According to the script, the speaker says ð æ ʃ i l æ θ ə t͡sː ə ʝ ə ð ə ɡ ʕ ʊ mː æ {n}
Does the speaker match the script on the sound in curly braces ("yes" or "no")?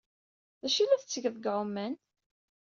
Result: yes